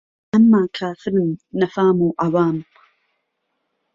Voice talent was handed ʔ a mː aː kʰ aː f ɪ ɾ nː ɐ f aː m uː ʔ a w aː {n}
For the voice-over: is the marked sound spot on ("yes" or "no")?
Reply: no